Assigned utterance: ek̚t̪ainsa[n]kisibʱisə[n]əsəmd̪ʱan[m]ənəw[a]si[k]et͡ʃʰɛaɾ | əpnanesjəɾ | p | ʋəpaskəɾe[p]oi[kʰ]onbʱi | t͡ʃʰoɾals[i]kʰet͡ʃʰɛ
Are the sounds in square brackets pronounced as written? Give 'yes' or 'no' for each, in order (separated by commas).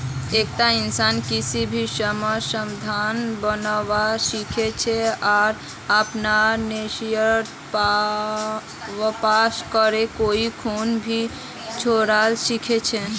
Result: yes, no, no, yes, no, no, yes, yes